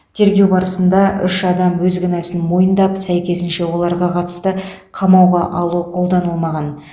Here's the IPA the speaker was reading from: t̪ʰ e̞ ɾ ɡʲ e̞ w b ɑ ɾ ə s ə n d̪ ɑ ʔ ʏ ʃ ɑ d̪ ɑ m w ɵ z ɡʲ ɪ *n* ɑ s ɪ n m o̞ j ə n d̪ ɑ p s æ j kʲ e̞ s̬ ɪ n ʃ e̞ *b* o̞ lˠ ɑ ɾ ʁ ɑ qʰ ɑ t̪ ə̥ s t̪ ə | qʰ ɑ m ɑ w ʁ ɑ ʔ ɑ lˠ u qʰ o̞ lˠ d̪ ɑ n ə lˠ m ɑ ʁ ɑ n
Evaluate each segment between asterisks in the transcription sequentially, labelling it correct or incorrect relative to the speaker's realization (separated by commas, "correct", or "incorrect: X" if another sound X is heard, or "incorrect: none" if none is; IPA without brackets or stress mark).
correct, incorrect: w